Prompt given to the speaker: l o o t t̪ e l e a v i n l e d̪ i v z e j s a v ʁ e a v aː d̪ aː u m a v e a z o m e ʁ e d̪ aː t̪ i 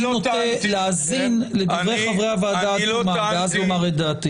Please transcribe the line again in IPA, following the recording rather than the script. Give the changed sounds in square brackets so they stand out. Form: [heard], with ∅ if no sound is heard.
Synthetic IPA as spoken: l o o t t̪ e l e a [z] i n l e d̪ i v [ʁ] e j [χ] a v ʁ e a v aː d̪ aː u m a v e a z o m [a] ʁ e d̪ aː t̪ i

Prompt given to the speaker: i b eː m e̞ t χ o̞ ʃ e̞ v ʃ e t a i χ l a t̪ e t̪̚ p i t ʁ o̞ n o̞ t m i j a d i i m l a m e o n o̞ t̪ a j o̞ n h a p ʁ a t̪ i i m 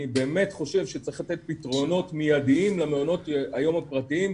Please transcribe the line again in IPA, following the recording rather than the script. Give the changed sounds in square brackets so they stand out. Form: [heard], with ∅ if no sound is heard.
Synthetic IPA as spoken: i b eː m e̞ t χ o̞ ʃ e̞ v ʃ e [t͡s] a i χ l a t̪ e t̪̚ p i t ʁ o̞ n o̞ t m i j a d i i m l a m e o n o̞ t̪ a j o̞ [m] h a p ʁ a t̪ i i m

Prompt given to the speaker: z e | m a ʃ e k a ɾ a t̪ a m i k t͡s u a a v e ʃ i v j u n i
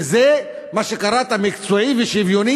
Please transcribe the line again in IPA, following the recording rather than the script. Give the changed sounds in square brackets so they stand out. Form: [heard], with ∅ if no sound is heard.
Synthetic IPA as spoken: z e | m a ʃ e k a ɾ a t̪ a m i k t͡s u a [i] v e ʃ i v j [o] n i

